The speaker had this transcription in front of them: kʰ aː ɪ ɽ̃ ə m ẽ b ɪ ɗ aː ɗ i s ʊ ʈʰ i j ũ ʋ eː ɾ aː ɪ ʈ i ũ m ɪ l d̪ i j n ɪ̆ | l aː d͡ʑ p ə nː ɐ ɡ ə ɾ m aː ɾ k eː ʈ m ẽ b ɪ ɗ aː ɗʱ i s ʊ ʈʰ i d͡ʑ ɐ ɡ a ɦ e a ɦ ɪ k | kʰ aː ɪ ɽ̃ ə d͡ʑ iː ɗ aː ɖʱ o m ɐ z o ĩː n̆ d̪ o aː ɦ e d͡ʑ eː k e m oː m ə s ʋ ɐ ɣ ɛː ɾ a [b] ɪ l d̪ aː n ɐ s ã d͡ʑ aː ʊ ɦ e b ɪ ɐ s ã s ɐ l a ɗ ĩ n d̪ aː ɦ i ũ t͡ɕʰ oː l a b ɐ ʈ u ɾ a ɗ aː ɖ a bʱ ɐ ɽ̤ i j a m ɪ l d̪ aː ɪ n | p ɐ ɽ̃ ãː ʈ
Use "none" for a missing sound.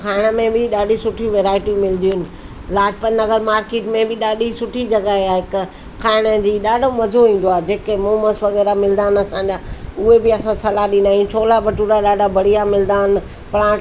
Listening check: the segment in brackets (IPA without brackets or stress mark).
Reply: m